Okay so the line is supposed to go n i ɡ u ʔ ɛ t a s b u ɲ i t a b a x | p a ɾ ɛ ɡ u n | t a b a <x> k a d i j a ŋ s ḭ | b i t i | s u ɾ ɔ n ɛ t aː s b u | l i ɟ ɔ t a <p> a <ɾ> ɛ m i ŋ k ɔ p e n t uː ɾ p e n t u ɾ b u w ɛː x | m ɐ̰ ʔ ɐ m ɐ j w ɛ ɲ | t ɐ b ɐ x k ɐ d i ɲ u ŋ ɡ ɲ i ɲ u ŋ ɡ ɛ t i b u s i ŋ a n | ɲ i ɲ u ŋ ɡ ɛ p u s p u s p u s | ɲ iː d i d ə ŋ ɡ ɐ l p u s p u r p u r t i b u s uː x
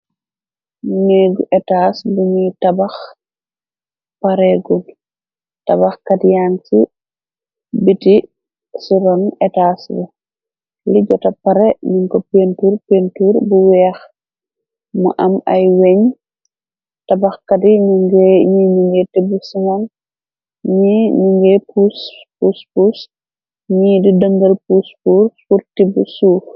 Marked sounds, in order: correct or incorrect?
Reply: correct, correct, correct

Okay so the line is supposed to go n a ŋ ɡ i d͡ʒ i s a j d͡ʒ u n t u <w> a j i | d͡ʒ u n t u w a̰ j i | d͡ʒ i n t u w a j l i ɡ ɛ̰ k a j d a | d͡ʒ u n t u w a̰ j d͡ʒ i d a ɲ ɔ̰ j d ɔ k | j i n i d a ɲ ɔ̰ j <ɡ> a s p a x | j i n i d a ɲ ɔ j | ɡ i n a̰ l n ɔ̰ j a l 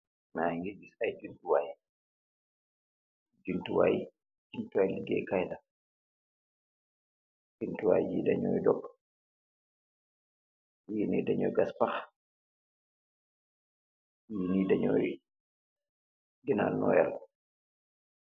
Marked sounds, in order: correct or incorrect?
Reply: correct, correct

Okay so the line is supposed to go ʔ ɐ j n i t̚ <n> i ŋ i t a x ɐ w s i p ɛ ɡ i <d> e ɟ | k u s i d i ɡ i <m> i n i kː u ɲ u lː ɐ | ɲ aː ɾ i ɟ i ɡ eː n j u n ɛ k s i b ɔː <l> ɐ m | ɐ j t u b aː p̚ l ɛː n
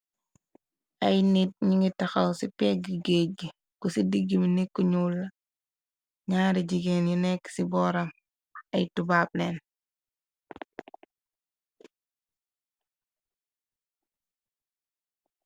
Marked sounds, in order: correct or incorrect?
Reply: incorrect, incorrect, correct, incorrect

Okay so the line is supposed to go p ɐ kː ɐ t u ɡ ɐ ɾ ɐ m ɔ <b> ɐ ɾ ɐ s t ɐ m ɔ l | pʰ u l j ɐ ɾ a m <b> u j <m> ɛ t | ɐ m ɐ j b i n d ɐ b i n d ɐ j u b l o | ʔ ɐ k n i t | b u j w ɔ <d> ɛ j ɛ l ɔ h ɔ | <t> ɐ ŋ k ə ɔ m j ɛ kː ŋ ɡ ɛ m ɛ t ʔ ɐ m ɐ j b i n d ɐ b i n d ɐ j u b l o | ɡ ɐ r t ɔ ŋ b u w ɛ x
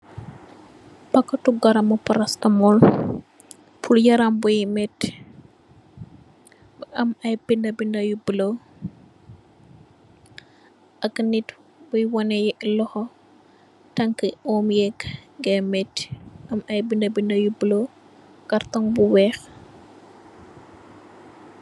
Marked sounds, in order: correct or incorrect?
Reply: incorrect, correct, correct, incorrect, correct

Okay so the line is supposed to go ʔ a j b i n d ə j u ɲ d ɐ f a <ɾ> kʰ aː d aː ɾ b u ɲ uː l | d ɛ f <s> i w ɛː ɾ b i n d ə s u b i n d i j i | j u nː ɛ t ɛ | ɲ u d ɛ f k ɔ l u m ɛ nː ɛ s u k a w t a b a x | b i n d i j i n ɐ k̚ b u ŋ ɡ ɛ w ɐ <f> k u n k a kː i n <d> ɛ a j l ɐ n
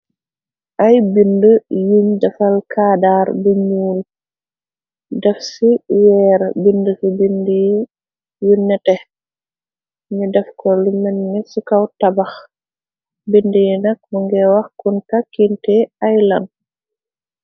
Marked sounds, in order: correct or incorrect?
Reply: incorrect, correct, incorrect, incorrect

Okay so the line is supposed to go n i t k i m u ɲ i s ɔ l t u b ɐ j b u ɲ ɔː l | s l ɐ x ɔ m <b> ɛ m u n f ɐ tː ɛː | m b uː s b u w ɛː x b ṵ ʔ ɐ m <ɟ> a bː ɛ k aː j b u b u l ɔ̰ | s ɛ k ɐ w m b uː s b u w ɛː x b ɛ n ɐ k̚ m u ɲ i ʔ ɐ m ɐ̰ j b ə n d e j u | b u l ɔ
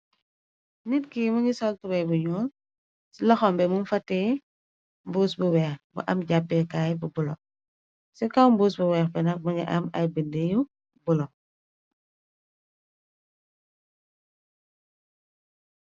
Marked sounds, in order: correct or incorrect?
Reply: correct, correct

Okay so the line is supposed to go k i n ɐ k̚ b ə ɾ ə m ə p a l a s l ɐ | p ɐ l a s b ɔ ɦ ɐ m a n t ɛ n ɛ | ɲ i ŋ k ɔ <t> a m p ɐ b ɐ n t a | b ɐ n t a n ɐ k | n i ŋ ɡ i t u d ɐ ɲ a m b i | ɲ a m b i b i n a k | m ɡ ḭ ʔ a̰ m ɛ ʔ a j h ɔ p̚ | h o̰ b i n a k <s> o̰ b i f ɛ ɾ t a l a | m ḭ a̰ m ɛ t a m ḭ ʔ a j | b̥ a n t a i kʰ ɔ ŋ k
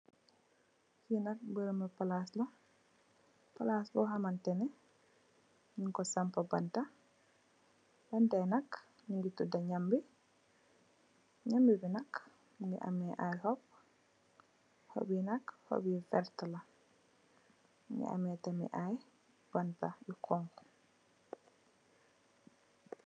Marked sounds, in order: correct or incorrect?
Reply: incorrect, incorrect

